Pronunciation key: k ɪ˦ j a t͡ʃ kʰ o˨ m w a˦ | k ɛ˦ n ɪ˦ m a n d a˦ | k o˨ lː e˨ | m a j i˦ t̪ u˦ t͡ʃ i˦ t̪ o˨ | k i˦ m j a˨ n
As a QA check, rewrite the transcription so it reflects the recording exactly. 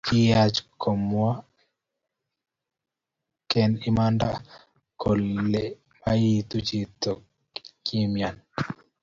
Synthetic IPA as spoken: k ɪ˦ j a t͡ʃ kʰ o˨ m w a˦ | k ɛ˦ n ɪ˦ m a n d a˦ | k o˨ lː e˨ | m a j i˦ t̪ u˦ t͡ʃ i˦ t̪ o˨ | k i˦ m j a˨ n